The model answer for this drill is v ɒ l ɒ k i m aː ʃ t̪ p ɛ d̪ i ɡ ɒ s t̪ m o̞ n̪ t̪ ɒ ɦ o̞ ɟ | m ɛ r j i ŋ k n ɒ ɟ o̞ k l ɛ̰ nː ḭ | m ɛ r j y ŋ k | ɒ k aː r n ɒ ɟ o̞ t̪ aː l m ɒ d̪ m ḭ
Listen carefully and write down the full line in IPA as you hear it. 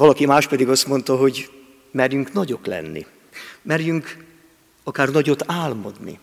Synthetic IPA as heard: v ɒ l ɒ k i m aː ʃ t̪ p ɛ d̪ i ɡ ɒ s t̪ m o̞ n̪ t̪ ɒ ɦ o̞ ɟ | m ɛ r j y ŋ k n ɒ ɟ o̞ k l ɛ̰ nː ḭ | m ɛ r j y ŋ k | ɒ k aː r n ɒ ɟ o̞ t̪ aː l m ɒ d̪ n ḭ